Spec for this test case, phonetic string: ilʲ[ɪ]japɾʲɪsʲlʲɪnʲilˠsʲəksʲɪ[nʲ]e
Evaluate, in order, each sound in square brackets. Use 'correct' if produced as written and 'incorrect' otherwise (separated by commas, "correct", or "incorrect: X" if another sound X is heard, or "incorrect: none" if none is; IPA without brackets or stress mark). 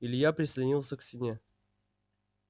correct, correct